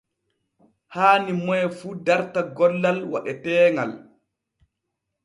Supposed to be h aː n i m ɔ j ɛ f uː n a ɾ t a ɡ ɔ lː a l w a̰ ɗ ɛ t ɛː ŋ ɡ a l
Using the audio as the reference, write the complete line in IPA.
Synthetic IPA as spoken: h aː n i m ɔ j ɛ f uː d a ɾ t a ɡ ɔ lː a l w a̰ ɗ ɛ t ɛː ŋ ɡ a l